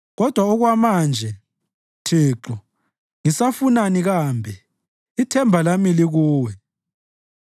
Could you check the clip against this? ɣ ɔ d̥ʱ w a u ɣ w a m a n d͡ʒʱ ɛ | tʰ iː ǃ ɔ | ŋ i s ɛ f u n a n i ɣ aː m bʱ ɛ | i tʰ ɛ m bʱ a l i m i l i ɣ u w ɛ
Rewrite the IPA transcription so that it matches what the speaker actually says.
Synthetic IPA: ɣ ɔ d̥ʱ w a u ɣ w a m a n d͡ʒʱ ɛ | tʰ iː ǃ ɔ | ŋ i s a f u n a n i ɣ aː m bʱ ɛ | i tʰ ɛ m bʱ a l a m i l i ɣ uː w ɛ